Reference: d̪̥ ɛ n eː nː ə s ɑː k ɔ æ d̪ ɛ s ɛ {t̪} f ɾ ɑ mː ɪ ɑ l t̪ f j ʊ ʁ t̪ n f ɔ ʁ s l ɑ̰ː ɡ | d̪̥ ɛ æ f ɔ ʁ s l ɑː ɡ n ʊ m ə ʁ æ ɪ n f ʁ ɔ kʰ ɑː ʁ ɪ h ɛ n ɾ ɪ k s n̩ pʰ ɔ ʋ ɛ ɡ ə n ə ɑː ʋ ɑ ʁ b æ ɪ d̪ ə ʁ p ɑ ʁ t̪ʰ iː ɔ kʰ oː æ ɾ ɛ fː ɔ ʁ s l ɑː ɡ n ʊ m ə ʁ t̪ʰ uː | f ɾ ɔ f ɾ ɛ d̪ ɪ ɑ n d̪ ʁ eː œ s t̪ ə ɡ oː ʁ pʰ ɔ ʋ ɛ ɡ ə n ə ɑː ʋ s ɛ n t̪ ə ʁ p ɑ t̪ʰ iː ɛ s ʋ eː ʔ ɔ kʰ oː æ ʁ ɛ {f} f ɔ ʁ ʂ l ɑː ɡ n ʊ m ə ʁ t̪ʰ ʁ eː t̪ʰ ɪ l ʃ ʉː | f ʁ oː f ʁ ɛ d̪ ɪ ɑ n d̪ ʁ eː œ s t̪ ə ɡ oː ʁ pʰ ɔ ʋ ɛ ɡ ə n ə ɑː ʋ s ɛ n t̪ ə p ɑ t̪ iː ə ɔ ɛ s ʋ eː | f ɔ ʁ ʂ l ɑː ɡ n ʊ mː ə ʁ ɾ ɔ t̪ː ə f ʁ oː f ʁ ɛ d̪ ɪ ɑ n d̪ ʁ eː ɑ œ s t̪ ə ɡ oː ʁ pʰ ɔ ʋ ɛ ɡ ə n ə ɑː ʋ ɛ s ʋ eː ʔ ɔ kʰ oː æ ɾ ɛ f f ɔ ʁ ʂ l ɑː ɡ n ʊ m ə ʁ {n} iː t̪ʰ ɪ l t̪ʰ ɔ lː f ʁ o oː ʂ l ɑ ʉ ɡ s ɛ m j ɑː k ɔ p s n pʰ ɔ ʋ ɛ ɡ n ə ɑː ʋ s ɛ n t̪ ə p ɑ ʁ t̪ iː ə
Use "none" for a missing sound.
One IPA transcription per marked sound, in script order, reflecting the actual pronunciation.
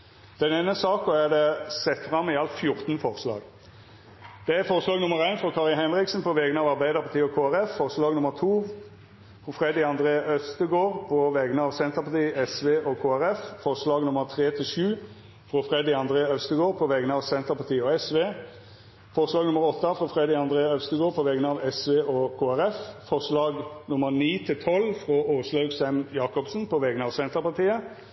t̪, f, n

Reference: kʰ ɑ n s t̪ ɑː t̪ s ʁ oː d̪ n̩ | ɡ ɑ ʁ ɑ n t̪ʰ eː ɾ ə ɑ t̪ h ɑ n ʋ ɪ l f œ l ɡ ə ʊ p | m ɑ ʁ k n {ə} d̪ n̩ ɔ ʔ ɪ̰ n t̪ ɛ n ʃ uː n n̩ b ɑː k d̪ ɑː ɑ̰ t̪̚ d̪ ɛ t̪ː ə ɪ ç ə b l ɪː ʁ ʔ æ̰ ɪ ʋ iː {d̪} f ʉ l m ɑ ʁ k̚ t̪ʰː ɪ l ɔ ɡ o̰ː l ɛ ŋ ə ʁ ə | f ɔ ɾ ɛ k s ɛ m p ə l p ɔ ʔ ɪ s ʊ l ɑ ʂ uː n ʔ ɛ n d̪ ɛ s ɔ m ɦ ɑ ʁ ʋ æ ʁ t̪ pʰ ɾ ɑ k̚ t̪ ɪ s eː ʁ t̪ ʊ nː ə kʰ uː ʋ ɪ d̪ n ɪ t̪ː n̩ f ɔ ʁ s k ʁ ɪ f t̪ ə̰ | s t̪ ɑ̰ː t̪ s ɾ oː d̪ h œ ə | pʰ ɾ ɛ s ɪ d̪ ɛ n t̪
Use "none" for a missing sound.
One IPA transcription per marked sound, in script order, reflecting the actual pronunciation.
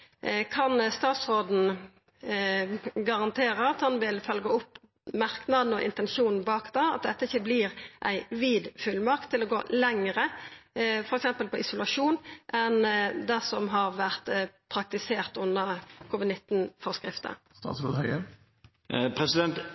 ɑ, d̪

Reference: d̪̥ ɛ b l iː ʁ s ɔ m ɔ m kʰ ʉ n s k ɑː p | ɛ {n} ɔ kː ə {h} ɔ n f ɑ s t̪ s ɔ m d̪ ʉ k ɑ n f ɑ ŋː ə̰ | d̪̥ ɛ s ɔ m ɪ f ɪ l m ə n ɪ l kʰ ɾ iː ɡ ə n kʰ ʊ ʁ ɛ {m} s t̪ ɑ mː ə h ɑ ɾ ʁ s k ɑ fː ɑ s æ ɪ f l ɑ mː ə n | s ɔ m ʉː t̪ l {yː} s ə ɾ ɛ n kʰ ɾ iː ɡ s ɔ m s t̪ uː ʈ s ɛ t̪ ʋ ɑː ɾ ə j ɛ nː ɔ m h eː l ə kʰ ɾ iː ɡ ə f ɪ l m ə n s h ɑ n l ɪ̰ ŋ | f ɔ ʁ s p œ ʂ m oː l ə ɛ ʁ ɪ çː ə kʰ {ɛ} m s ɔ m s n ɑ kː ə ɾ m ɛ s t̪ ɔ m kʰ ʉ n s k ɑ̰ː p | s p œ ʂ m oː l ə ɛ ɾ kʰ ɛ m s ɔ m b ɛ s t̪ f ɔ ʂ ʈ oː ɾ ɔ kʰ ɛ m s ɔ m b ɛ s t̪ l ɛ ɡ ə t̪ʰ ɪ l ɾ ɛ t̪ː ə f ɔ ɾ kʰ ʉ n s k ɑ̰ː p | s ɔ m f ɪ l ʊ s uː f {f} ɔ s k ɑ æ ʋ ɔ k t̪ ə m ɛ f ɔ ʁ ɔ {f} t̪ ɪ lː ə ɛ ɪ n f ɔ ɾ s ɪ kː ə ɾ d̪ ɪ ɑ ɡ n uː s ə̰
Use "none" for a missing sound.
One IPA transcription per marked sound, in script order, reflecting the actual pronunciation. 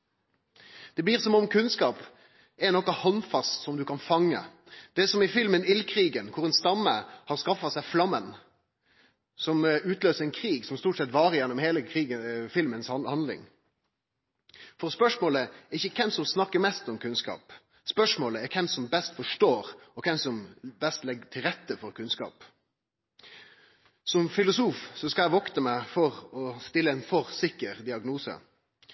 n, h, n, øː, ɛ, s, s

